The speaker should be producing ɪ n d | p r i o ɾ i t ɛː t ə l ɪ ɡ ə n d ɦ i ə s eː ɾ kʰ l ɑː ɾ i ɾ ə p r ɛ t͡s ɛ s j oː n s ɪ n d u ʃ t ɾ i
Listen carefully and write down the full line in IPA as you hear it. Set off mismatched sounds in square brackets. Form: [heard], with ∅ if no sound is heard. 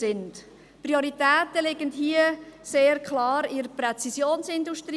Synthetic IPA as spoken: ɪ n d | p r i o ɾ i t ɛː t ə l ɪ ɡ ə n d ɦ i ə s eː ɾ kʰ l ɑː ɾ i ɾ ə p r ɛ t͡s [i] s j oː n s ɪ n d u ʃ t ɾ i